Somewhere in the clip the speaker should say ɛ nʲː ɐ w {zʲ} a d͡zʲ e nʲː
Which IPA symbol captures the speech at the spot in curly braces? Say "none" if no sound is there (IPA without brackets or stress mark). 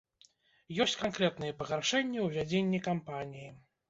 vʲ